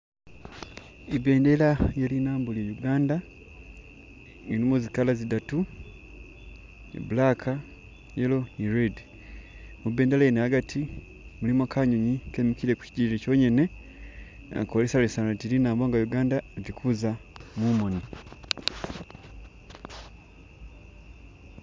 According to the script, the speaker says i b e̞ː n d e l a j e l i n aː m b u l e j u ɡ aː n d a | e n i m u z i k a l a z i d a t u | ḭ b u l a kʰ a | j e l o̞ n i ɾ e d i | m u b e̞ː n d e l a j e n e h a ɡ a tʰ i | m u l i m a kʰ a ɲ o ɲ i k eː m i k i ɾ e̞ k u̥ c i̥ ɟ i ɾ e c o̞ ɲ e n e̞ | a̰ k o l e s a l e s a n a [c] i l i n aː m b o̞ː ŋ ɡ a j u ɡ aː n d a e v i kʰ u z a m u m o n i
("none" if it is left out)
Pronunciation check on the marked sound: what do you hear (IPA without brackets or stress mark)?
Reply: t